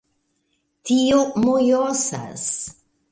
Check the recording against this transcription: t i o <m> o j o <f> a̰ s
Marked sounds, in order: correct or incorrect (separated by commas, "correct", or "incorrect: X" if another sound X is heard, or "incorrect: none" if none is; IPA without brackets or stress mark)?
correct, incorrect: s